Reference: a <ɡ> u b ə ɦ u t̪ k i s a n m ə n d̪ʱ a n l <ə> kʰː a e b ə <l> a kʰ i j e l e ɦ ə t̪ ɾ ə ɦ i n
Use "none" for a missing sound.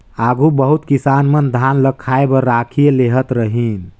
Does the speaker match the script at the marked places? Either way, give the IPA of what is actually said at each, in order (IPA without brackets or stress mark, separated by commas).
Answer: ɡ, ə, ɾ